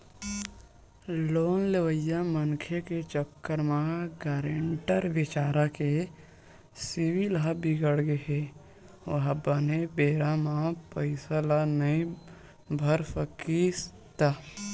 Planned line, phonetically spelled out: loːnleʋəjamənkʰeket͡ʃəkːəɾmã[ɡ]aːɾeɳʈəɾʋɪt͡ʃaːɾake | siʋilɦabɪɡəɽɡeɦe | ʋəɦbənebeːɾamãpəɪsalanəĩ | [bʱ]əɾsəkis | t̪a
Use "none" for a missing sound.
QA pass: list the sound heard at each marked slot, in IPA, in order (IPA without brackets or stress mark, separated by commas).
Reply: ɡ, bʱ